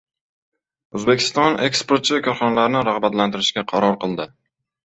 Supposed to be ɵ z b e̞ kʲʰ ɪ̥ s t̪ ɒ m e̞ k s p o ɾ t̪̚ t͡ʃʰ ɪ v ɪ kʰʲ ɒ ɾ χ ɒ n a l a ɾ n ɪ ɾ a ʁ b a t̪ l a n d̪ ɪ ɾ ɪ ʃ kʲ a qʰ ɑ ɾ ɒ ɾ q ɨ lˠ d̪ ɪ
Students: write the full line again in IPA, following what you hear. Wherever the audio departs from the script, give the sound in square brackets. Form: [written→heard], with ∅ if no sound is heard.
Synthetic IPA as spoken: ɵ z b e̞ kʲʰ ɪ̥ s t̪ ɒ [m→n] e̞ k s p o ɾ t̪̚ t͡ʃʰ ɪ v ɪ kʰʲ ɒ ɾ χ ɒ n a l a ɾ n ɪ ɾ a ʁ b a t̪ l a n [d̪→t̪] ɪ ɾ ɪ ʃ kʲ a qʰ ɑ ɾ ɒ ɾ q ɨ lˠ d̪ ɪ